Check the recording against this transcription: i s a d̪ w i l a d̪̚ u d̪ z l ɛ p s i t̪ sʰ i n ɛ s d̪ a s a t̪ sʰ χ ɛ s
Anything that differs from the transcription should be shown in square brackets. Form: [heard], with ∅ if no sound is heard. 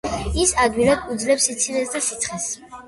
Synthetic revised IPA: i s a d̪ w i l a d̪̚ u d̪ z l ɛ p s i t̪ sʰ i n ɛ s d̪ a s [i] t̪ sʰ χ ɛ s